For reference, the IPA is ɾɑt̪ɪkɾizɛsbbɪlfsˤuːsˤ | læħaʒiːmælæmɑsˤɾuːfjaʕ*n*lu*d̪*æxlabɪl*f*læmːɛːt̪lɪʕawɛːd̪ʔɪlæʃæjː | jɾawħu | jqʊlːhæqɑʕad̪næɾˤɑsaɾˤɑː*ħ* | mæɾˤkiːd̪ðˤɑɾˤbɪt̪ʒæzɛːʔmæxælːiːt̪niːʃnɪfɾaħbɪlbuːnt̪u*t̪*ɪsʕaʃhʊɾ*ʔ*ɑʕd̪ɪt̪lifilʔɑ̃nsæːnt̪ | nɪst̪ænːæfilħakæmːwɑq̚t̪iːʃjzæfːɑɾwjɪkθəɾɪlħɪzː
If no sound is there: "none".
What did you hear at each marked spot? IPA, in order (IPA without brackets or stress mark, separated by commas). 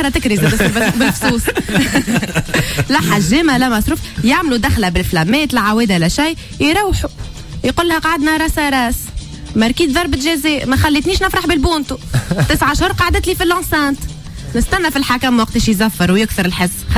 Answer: m, d̪, f, s, t̪, q